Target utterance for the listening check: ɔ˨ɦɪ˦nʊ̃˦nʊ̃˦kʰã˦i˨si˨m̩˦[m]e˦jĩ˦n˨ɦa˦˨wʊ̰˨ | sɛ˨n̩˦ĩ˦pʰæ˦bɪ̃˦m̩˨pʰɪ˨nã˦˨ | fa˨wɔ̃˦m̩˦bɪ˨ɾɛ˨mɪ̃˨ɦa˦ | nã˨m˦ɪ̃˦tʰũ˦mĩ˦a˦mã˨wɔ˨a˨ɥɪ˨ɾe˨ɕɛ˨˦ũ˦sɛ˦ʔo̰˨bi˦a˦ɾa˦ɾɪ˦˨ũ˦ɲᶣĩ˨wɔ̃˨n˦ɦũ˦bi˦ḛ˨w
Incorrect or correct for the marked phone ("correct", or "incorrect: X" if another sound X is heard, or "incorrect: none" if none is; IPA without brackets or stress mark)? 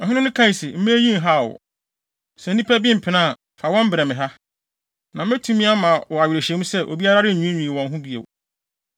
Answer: correct